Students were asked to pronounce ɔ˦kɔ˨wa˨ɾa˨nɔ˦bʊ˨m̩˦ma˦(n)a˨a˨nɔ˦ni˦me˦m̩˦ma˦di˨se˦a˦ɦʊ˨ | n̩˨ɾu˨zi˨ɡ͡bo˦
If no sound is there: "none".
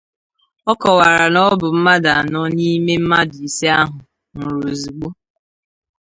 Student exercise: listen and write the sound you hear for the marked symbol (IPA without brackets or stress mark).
d